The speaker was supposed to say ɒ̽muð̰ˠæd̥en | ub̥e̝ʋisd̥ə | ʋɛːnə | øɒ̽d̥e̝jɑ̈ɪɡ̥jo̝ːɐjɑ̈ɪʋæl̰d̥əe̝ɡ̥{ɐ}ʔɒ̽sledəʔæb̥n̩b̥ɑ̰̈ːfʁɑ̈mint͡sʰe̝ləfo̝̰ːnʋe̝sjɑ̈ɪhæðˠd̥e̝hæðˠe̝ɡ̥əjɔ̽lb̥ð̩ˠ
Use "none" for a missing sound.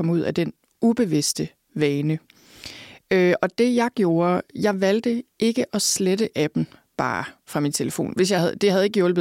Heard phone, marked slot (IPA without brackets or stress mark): ə